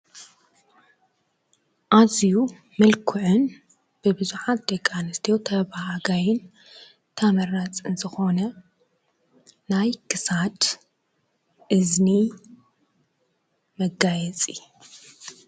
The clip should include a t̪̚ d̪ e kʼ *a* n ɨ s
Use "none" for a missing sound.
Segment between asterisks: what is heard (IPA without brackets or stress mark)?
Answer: a